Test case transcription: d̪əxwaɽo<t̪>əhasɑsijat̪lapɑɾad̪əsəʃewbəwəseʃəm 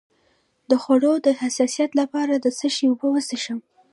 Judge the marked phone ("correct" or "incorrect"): incorrect